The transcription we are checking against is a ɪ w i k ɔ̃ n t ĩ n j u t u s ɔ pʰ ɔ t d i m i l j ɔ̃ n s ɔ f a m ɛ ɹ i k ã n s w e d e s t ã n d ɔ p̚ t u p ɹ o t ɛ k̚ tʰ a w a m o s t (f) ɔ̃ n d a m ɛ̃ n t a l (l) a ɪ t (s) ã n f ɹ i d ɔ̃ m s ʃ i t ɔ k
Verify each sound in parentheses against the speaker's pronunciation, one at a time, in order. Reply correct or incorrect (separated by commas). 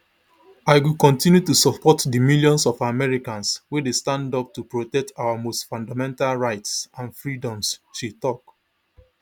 correct, incorrect, correct